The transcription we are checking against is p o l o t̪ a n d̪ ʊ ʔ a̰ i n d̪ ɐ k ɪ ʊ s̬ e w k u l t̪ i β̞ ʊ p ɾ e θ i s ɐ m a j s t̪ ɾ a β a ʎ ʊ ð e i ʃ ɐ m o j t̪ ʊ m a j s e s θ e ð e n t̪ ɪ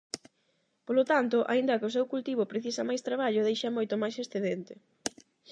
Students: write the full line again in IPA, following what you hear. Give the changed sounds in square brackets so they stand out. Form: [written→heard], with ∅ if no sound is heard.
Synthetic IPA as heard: p o l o t̪ a n [d̪→t̪] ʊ ʔ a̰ i n d̪ ɐ k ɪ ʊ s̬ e w k u l t̪ i β̞ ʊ p ɾ e θ i s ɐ m a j s t̪ ɾ a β a ʎ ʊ ð e [i→j] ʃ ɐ m o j t̪ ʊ m a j s e s θ e ð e n t̪ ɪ